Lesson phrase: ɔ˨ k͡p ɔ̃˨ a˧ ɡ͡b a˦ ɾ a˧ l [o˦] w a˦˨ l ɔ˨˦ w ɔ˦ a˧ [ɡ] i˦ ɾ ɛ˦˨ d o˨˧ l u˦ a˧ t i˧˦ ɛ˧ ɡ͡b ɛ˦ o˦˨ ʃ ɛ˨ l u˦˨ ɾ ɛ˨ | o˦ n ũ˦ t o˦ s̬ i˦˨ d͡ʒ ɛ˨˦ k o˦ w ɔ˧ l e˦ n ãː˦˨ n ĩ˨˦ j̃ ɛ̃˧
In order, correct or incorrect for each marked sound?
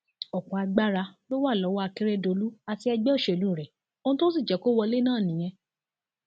correct, incorrect: k

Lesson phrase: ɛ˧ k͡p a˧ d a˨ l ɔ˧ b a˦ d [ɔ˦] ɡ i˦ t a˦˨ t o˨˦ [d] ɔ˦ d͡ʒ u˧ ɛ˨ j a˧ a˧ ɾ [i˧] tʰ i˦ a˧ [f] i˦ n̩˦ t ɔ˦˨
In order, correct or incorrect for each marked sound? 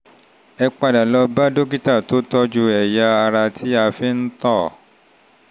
incorrect: o˦, incorrect: t, incorrect: a˧, correct

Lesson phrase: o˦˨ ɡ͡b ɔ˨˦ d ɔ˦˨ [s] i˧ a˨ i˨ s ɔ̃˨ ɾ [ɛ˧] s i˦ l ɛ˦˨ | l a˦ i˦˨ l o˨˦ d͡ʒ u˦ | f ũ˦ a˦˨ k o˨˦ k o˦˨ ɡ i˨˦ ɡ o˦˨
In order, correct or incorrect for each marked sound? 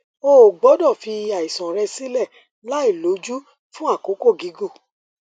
incorrect: f, correct

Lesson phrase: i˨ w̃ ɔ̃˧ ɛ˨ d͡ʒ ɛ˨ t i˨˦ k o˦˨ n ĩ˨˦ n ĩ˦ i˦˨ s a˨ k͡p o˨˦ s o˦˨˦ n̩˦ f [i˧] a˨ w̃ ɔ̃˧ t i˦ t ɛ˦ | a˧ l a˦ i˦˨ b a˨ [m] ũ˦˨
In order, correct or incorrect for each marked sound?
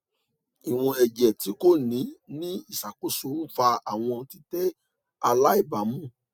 incorrect: a˧, correct

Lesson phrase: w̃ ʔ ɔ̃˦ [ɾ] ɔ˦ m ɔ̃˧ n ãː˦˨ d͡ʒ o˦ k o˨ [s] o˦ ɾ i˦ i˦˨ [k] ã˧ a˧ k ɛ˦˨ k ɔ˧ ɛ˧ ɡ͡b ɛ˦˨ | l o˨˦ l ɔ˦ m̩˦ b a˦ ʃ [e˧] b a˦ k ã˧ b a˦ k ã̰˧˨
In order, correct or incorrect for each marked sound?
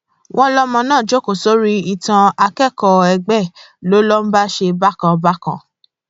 incorrect: l, correct, incorrect: t, correct

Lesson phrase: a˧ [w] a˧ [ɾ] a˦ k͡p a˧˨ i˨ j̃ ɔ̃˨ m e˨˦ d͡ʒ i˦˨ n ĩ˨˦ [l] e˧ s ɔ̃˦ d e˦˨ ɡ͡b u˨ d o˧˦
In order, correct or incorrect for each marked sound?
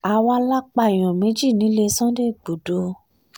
correct, incorrect: l, correct

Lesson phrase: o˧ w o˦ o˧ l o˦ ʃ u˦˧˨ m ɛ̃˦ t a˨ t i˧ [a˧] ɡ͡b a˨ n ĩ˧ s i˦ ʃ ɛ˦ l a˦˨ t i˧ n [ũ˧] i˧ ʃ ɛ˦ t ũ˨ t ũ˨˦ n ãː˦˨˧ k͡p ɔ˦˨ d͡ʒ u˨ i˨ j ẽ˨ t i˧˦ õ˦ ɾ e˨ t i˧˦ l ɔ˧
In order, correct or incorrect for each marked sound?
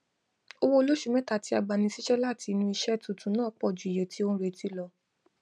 correct, correct

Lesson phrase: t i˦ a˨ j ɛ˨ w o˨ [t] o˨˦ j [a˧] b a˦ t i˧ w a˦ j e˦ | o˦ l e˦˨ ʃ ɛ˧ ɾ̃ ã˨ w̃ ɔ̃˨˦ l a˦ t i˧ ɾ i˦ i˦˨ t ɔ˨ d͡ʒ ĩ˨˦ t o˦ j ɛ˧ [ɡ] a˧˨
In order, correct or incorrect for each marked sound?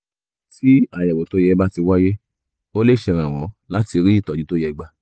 correct, incorrect: ɛ˧, incorrect: ɡ͡b

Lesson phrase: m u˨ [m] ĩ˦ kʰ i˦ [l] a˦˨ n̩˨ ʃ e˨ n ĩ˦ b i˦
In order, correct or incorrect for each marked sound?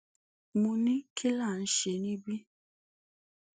incorrect: n, correct

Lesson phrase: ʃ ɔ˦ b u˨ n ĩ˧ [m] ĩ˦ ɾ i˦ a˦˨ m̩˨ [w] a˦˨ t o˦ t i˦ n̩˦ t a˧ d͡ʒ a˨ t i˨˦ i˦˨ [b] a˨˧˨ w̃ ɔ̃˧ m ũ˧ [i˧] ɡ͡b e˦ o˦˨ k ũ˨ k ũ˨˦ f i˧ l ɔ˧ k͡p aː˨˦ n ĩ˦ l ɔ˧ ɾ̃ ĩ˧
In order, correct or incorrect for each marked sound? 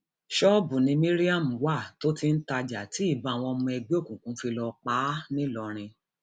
correct, correct, correct, incorrect: ɛ˧

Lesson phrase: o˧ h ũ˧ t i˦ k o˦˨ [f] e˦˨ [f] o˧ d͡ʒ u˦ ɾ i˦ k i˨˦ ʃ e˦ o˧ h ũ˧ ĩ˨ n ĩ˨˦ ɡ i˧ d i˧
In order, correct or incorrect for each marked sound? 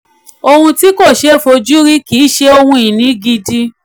incorrect: ʃ, correct

